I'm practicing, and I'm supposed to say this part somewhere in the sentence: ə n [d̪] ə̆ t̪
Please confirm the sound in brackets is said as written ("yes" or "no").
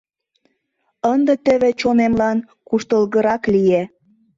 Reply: yes